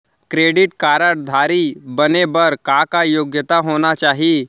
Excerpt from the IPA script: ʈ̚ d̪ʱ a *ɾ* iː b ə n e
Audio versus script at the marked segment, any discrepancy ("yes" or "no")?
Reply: no